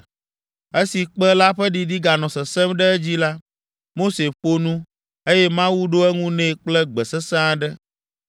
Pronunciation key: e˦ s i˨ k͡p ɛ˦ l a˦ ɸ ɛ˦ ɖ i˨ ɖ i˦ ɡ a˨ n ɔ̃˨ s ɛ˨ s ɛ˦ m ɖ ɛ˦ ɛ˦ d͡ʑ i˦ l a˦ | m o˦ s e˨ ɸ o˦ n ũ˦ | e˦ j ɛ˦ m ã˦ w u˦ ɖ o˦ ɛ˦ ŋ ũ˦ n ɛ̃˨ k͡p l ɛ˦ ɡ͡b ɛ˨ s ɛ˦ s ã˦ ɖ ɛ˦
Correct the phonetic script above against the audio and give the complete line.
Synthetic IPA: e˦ s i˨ k͡p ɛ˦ l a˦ ɸ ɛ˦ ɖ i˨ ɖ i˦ ɡ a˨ n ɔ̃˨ s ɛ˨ s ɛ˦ m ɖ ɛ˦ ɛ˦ d͡ʑ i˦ l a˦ | m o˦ s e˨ ɸ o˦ n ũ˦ | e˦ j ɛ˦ m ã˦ w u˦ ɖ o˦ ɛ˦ ŋ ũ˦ n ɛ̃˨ k͡p l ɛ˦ ɡ͡b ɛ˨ s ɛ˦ s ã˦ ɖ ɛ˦